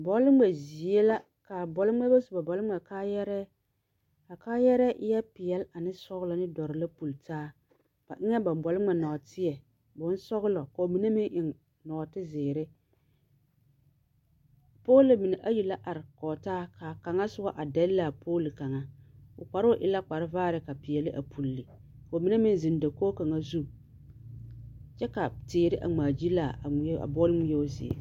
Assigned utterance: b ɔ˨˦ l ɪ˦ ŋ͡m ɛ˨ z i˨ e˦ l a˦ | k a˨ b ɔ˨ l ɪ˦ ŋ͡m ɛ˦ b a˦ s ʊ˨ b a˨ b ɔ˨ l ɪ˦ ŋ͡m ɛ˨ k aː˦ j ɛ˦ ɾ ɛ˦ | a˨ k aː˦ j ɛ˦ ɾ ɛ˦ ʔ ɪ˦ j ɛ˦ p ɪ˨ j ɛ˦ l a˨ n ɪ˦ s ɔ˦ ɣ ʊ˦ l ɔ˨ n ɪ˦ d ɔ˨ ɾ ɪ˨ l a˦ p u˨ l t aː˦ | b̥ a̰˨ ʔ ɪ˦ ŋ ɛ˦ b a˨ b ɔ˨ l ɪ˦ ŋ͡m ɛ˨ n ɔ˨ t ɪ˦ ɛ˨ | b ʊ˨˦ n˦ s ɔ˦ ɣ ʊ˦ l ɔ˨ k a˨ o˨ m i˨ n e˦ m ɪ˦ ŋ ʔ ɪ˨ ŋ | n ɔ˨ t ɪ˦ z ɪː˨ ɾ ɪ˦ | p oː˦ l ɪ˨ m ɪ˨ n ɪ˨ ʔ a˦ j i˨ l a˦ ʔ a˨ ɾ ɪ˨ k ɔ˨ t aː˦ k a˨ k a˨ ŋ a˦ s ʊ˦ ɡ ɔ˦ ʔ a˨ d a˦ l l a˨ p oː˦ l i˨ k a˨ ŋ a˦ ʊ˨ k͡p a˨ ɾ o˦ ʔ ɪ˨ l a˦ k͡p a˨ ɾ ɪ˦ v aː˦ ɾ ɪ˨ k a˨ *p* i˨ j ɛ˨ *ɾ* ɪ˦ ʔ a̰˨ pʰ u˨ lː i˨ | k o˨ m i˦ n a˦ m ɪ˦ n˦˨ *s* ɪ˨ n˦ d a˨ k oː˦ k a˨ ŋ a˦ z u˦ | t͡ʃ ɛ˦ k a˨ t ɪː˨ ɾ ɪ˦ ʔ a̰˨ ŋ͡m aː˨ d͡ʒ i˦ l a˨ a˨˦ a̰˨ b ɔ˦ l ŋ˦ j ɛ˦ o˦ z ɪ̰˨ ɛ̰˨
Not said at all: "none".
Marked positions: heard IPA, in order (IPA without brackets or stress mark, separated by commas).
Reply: p, l, z